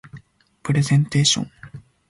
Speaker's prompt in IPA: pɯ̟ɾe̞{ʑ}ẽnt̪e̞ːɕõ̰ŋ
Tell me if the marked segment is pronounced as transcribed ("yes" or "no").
no